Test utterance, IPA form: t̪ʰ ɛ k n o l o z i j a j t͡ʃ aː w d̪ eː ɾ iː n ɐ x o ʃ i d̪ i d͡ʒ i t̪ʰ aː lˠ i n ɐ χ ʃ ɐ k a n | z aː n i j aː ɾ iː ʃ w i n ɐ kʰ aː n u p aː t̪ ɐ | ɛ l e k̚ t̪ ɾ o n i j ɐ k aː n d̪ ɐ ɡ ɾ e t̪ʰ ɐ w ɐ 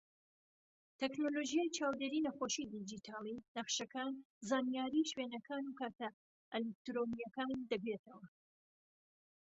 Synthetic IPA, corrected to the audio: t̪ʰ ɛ k n o l o ʒ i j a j t͡ʃ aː w d̪ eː ɾ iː n ɐ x o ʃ i d̪ i d͡ʒ i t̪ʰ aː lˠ i n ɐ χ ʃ ɐ k a n | z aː n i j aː ɾ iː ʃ w e n ɐ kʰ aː n u k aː t̪ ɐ | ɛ l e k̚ t̪ ɾ o n i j ɐ k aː n d̪ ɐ ɡ ɾ e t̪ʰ ɐ w ɐ